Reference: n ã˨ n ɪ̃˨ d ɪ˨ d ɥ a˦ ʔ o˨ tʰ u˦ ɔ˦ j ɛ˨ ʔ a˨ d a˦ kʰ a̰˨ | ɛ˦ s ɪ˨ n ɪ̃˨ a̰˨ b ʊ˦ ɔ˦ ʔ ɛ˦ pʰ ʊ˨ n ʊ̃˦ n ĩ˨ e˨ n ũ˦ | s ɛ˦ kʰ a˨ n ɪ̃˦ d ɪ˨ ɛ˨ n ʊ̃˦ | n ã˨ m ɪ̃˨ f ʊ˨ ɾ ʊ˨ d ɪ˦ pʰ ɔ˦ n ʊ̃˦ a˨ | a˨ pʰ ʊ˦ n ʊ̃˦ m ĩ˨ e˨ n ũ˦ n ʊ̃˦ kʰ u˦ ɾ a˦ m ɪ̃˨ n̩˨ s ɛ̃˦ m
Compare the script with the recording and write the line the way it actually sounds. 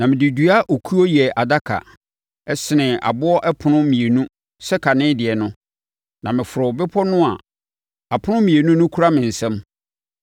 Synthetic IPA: n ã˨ m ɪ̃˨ d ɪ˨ d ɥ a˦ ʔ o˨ kʰ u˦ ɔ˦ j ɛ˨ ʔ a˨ d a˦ kʰ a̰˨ | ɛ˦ s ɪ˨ n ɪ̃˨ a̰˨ b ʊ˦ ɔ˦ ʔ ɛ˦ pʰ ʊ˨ n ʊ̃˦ m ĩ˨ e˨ n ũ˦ | s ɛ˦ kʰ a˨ n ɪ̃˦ d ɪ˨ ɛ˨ n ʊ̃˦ | n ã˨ m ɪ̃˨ f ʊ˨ ɾ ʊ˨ b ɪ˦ pʰ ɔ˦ n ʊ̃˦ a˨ | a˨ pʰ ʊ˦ n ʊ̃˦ m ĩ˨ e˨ n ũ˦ n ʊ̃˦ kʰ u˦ ɾ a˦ m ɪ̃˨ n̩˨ s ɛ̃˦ m